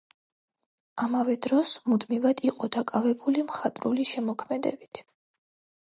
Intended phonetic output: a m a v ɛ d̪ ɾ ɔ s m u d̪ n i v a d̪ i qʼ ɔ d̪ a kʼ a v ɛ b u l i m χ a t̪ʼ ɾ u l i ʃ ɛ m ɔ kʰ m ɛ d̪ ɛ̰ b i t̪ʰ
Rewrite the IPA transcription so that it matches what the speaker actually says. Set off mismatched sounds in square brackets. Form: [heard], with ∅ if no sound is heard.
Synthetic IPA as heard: a m a v ɛ d̪ ɾ ɔ s m u d̪ [m] i v a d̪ i qʼ ɔ d̪ a kʼ a v ɛ b u l i m χ a t̪ʼ ɾ u l i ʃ ɛ m ɔ kʰ m ɛ d̪ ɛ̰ b i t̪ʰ